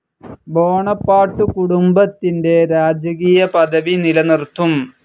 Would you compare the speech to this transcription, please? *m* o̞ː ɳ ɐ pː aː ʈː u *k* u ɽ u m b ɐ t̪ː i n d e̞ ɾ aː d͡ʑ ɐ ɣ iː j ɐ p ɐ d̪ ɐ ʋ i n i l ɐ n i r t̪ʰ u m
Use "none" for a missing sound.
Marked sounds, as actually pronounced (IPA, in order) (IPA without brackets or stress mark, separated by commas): b, k